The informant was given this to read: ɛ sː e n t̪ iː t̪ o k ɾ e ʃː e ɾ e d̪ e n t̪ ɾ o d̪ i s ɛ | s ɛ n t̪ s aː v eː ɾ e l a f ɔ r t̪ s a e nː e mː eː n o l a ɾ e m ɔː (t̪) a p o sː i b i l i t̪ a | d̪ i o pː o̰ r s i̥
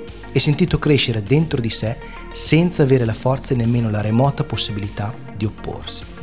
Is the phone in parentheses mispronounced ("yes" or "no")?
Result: no